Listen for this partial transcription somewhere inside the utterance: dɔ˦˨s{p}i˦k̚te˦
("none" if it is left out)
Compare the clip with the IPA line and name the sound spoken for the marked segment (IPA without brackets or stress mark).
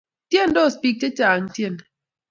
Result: p